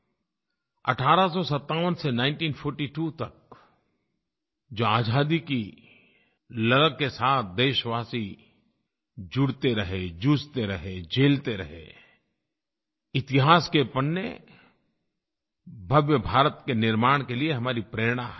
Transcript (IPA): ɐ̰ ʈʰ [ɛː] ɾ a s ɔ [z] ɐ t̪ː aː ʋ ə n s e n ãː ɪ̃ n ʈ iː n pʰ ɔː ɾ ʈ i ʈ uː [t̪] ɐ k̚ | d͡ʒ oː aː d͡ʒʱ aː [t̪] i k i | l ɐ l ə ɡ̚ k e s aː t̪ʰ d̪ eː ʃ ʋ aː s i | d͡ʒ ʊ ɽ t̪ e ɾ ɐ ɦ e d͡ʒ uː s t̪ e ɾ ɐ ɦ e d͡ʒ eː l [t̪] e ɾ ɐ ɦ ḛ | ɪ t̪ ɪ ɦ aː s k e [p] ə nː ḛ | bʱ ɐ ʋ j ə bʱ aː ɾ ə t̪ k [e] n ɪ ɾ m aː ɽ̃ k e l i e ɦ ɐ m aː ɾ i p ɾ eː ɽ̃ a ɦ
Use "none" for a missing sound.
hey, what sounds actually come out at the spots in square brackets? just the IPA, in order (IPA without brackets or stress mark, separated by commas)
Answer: aː, s, t̪, d̪, t̪, p, e